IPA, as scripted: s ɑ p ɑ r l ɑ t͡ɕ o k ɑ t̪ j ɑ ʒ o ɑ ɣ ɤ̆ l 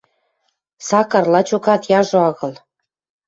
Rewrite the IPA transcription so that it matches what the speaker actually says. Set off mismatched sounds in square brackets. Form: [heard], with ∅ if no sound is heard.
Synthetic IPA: s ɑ [k] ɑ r l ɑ t͡ɕ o k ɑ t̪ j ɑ ʒ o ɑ ɣ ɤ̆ l